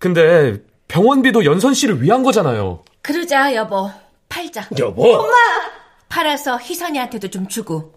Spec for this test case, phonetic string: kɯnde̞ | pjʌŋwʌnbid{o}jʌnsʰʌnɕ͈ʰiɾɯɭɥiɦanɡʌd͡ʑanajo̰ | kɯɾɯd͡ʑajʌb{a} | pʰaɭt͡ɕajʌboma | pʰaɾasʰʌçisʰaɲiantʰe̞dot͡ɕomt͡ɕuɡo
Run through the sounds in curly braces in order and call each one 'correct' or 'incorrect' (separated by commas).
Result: correct, incorrect